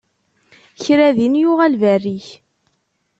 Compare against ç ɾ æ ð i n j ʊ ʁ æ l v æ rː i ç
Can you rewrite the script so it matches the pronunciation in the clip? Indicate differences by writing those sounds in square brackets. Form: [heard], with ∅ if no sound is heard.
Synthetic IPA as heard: ç ɾ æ ð i n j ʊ ʁ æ l v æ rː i ç

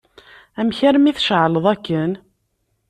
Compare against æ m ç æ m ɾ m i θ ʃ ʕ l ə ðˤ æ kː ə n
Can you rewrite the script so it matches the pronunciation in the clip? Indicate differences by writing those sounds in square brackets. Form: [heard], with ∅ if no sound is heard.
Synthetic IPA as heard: æ m ç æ [∅] ɾ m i θ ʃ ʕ l ə ðˤ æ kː ə n

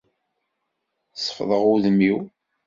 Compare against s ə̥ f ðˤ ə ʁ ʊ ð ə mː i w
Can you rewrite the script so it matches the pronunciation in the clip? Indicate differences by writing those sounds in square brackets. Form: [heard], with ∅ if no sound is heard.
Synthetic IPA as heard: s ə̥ f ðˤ ə ʁ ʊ ð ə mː i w

